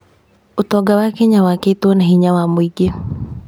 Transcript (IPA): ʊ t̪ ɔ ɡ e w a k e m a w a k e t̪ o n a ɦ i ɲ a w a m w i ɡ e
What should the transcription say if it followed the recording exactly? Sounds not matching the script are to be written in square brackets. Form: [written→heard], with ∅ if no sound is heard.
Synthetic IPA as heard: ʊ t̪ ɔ ɡ [e→a] w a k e [m→ɲ] a w a k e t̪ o n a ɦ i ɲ a w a m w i ɡ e